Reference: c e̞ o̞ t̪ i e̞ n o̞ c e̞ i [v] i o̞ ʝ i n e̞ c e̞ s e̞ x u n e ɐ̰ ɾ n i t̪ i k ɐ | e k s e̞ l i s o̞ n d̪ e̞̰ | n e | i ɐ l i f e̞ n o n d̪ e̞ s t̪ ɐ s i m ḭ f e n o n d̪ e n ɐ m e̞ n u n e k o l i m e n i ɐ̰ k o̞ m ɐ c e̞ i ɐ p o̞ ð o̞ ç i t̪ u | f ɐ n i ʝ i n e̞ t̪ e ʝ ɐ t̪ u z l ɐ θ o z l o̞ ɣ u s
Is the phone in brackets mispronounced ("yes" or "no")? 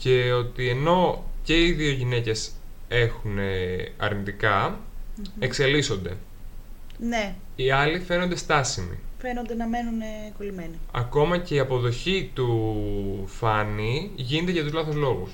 yes